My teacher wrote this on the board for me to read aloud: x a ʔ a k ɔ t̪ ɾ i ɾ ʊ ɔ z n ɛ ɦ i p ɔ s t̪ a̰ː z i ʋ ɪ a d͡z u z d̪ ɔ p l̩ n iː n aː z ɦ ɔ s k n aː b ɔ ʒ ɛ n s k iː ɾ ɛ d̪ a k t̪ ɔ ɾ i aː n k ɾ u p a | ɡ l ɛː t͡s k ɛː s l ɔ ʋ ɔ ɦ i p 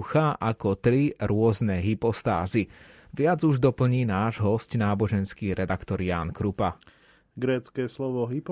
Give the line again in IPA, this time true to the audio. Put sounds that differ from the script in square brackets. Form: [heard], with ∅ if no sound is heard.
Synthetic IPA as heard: x a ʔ a k ɔ t̪ ɾ i ɾ ʊ ɔ z n ɛ ɦ i p ɔ s t̪ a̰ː z i ʋ ɪ a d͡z u [ʒ] d̪ ɔ p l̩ [ɲ] iː n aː [ʒ] ɦ ɔ s [c] n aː b ɔ ʒ ɛ n s k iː ɾ ɛ d̪ a k t̪ ɔ ɾ [j] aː n k ɾ u p a | ɡ [ɾ] ɛː t͡s k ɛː s l ɔ ʋ ɔ ɦ i p